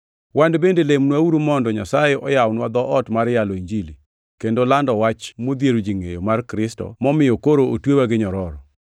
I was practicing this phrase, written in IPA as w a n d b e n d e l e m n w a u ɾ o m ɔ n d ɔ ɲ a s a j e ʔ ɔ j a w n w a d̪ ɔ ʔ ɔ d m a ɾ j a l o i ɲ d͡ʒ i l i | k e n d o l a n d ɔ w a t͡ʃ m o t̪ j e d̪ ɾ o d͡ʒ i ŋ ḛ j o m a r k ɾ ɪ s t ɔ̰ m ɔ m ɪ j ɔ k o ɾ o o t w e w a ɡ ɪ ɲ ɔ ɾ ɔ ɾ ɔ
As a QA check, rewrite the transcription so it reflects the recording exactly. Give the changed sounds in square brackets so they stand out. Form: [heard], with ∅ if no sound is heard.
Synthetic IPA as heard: w a n d b e n d e l e m n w a u ɾ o m ɔ n d ɔ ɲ a s a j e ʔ ɔ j a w n w a d̪ ɔ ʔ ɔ [t] m a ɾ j a l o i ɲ d͡ʒ i l i | k e n d o l a n d ɔ w a t͡ʃ m o [d̪] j e [∅] ɾ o d͡ʒ i ŋ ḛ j o m a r k ɾ ɪ s t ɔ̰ m ɔ m ɪ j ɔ k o ɾ o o t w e w a ɡ ɪ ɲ ɔ ɾ ɔ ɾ ɔ